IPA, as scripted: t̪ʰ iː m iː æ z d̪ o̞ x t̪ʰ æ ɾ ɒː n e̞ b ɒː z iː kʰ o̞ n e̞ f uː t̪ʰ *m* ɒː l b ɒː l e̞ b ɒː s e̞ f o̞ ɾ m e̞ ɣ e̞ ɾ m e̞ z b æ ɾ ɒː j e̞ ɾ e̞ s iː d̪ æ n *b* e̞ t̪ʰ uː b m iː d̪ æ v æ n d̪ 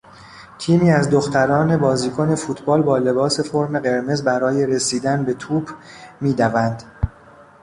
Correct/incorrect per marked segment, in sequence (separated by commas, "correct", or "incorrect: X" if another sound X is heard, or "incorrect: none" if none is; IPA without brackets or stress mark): incorrect: b, correct